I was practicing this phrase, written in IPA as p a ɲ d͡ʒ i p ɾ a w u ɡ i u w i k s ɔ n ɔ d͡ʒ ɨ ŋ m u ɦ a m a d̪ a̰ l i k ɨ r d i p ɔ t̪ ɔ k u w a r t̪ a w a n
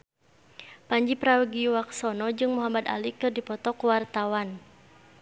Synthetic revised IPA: p a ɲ d͡ʒ i p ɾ a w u ɡ i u w a k s ɔ n ɔ d͡ʒ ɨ ŋ m u ɦ a m a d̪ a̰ l i k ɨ r d i p ɔ t̪ ɔ k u w a r t̪ a w a n